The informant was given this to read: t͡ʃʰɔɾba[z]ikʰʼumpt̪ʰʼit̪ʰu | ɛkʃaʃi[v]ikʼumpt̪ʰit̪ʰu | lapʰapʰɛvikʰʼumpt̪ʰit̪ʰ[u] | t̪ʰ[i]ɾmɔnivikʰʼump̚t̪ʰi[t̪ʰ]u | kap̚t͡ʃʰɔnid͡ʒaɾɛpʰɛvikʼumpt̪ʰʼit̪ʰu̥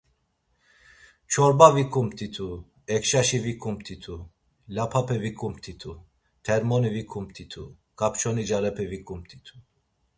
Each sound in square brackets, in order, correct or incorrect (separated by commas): incorrect, correct, correct, incorrect, correct